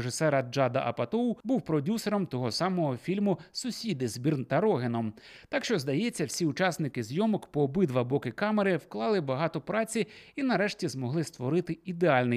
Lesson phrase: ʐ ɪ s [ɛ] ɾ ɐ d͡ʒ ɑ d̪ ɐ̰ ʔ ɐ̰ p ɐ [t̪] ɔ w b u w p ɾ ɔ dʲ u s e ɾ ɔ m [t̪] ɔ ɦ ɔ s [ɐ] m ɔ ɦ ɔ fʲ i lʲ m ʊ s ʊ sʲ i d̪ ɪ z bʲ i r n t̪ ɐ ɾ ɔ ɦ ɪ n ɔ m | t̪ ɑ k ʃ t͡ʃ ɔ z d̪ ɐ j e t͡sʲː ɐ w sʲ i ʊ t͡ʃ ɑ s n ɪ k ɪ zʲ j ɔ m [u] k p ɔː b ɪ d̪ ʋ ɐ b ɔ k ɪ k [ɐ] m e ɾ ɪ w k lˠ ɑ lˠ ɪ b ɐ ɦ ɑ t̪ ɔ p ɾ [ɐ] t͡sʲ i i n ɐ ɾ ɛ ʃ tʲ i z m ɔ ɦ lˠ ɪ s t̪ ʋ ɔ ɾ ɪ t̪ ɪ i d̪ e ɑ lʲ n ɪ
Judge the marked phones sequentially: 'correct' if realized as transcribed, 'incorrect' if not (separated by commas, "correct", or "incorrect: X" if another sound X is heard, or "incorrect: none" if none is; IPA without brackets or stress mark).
correct, correct, correct, incorrect: ɑ, incorrect: ɔ, incorrect: ɑ, incorrect: ɑ